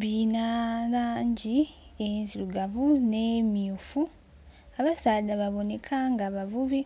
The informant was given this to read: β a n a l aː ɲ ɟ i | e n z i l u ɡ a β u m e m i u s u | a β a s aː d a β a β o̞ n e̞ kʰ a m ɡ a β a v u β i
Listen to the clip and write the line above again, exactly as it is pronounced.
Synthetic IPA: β i n a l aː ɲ ɟ i | e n z i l u ɡ a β u n e m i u f u | a β a s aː d a β a β o̞ n e̞ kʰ a ŋ ɡ a β a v u β i